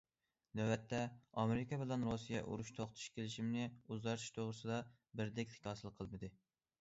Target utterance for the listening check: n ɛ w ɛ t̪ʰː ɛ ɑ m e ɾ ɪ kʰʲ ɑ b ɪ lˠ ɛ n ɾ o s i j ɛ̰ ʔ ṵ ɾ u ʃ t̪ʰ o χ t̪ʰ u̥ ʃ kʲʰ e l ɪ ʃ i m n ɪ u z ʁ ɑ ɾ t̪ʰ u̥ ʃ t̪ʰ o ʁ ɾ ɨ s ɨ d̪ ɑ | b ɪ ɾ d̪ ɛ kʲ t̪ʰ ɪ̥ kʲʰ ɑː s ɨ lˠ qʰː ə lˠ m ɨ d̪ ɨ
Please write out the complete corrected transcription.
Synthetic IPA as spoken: n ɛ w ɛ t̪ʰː ɛ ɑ m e ɾ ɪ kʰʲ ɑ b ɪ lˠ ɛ n ɾ o s i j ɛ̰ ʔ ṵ ɾ u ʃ t̪ʰ o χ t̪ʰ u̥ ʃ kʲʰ e l ɪ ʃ i m n ɪ u z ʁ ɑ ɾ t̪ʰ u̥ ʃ t̪ʰ o ʁ ɾ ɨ s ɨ d̪ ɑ | b ɪ ɾ d̪ ɛ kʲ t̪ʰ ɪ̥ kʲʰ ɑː s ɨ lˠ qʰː ə lˠ m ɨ d̪ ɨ

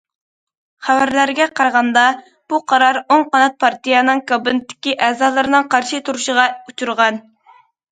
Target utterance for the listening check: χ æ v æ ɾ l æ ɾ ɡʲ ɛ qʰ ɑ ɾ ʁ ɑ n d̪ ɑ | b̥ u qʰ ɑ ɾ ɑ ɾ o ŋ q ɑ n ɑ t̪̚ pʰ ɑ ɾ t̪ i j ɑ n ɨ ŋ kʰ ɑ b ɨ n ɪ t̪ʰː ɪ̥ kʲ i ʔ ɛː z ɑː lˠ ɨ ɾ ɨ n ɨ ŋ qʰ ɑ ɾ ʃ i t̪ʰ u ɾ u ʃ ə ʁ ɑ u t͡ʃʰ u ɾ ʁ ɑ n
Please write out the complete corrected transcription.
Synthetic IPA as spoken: χ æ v æ ɾ l æ ɾ ɡʲ ɛ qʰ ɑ ɾ ʁ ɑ n d̪ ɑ | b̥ u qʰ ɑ ɾ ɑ ɾ o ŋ q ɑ n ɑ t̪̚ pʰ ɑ ɾ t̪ i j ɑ n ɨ ŋ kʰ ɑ b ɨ n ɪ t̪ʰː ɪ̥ kʲ i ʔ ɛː z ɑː lˠ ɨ ɾ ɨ n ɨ ŋ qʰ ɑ ɾ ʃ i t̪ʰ u ɾ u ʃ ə ʁ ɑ u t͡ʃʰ u ɾ ʁ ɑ n

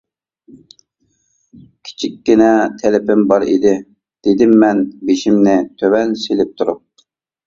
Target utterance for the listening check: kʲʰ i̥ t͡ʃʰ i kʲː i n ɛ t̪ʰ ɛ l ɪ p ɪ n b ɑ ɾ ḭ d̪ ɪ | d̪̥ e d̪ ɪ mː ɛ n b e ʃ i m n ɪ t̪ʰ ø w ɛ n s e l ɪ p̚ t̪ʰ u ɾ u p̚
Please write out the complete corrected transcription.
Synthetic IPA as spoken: kʲʰ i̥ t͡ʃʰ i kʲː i n ɛ t̪ʰ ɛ l ɪ p ɪ m b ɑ ɾ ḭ d̪ ɪ | d̪̥ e d̪ ɪ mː ɛ n b e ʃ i m n ɪ t̪ʰ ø w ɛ n s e l ɪ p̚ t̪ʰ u ɾ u p̚

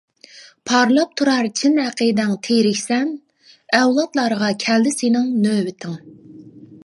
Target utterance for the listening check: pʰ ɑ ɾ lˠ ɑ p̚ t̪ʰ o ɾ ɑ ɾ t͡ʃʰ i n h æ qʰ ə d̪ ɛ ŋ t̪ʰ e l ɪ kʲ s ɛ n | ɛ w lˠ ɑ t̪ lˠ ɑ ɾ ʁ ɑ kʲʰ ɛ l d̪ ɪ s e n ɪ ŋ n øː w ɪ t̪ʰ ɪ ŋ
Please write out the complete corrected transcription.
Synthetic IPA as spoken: pʰ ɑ ɾ lˠ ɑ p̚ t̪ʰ u ɾ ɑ ɾ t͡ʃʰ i n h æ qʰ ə d̪ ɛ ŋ t̪ʰ e ɾ ɪ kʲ s ɛ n | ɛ w lˠ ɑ t̪ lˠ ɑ ɾ ʁ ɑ kʲʰ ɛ l d̪ ɪ s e n ɪ ŋ n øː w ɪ t̪ʰ ɪ ŋ

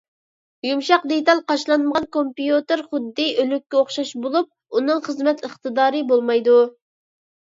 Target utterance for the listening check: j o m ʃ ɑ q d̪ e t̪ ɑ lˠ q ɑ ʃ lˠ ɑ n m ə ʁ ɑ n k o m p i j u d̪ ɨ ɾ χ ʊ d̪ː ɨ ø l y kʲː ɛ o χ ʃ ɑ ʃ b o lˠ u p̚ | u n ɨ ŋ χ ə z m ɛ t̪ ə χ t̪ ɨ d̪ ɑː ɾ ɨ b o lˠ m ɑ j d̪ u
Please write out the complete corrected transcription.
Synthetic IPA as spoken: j u m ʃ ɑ q d̪ e t̪ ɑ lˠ q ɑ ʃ lˠ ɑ n m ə ʁ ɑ n k o m p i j u t̪ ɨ ɾ χ ʊ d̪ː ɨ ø l y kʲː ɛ o χ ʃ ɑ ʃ b o lˠ u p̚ | u n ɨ ŋ χ ə z m ɛ t̪ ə χ t̪ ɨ d̪ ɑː ɾ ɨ b o lˠ m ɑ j d̪ u

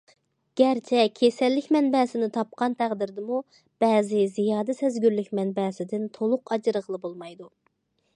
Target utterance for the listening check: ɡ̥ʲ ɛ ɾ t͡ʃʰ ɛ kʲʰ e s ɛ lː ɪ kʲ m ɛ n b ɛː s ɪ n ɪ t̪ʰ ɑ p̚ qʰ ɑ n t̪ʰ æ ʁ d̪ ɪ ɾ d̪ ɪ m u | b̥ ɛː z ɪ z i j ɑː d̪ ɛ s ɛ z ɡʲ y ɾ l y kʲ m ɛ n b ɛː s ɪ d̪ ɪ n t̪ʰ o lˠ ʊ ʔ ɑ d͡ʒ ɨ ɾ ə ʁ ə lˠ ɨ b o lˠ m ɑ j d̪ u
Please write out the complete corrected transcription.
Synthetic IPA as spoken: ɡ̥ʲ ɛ ɾ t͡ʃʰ ɛ kʲʰ e s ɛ lː ɪ kʲ m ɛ n b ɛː s ɪ n ɪ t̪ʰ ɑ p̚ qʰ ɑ n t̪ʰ æ ʁ d̪ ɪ ɾ d̪ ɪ m u | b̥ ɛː z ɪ z i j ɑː d̪ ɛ s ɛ z ɡʲ y ɾ l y kʲ m ɛ n b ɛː s ɪ d̪ ɪ n t̪ʰ o lˠ ʊ q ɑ d͡ʒ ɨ ɾ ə ʁ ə lˠ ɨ b o lˠ m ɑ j d̪ u

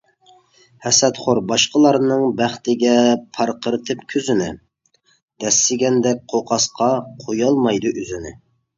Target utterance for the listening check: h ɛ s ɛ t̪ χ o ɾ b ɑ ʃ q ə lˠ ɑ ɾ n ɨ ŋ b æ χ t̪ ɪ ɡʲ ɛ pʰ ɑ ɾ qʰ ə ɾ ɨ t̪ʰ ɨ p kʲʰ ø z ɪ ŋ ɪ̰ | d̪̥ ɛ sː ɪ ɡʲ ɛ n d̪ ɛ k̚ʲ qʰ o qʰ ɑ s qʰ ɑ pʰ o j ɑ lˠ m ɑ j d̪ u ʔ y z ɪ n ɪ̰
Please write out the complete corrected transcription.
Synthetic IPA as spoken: h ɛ s ɛ t̪ χ o ɾ b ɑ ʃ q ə lˠ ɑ ɾ n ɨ ŋ b æ χ t̪ ɪ ɡʲ ɛ pʰ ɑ ɾ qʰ ə ɾ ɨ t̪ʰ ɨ p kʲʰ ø z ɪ n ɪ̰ | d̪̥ ɛ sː ɪ ɡʲ ɛ n d̪ ɛ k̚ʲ qʰ o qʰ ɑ s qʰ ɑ qʰ o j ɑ lˠ m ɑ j d̪ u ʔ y z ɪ n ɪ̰

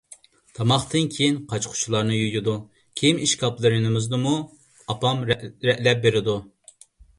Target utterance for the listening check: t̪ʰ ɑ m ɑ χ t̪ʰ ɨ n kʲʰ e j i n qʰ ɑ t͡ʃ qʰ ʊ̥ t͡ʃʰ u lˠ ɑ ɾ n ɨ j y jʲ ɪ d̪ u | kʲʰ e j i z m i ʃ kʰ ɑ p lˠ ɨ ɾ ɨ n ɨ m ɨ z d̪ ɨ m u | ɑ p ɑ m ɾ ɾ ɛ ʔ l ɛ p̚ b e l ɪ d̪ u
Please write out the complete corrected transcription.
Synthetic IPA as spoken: t̪ʰ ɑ m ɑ χ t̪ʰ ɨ n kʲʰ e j i n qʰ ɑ t͡ʃ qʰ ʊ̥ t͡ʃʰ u lˠ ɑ ɾ n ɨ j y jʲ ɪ d̪ u | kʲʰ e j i m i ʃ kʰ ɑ p lˠ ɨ ɾ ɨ n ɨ m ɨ z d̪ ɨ m u | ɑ p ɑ m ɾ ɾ ɛ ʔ l ɛ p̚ b e ɾ ɪ d̪ u

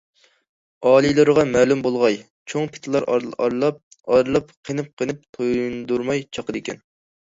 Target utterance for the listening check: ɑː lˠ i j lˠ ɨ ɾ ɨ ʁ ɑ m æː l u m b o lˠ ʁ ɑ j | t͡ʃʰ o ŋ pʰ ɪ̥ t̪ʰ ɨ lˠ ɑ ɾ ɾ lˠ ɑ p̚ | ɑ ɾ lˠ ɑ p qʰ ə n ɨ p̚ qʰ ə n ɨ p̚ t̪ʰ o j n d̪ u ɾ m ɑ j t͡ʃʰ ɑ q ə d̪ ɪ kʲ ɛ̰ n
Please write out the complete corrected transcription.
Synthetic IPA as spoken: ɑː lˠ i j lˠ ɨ ɾ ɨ ʁ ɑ m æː l u m b o lˠ ʁ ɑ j | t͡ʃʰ o ŋ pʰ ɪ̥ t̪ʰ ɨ lˠ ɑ ɾ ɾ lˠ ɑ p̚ | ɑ ɾ lˠ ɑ p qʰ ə n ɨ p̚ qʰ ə n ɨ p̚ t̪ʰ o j n d̪ u ɾ m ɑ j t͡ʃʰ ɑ q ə d̪ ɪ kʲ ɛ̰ n

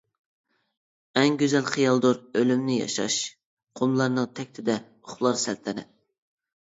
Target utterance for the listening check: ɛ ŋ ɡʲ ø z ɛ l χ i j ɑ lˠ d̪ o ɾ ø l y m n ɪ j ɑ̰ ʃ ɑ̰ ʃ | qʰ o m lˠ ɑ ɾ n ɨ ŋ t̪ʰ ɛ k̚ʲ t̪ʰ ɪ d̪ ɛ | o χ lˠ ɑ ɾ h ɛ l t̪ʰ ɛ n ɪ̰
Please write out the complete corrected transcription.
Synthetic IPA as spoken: ɛ ŋ ɡʲ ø z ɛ l χ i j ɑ lˠ d̪ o ɾ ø l y m n ɪ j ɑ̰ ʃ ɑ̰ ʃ | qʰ o m lˠ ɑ ɾ n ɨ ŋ t̪ʰ ɛ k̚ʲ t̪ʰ ɪ d̪ ɛ | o χ lˠ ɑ ɾ s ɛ l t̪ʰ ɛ n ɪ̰

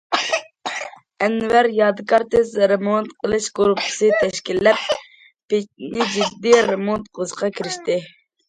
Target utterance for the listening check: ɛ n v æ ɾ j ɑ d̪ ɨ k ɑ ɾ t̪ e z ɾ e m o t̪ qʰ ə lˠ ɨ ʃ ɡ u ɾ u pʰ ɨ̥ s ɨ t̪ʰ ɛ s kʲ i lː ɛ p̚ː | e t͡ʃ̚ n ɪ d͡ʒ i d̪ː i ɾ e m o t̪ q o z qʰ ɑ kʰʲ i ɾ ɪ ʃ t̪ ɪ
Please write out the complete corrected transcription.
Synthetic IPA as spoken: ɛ n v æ ɾ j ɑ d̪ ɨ k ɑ ɾ t̪ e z ɾ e m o t̪ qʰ ə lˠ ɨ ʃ ɡ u ɾ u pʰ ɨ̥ s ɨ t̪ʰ ɛ ʃ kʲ i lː ɛ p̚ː | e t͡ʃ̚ n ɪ d͡ʒ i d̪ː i ɾ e m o t̪ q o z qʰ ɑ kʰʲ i ɾ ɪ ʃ t̪ ɪ

